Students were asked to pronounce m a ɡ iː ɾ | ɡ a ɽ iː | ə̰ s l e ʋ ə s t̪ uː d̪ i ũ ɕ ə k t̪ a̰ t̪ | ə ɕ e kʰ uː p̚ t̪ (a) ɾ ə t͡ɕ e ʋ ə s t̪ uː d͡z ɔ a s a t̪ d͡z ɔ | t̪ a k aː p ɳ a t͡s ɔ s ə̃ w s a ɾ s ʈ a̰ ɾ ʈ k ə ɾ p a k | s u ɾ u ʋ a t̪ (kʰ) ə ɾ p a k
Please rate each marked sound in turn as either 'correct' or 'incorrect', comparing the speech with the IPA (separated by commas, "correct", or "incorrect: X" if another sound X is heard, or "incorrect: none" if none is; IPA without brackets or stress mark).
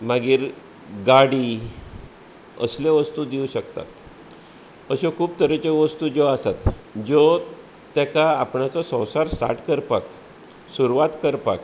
incorrect: ə, incorrect: k